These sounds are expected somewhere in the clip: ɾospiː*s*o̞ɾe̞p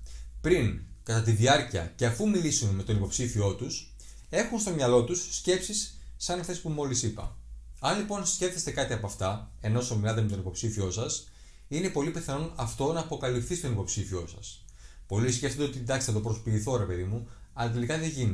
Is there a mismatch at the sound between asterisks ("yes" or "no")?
yes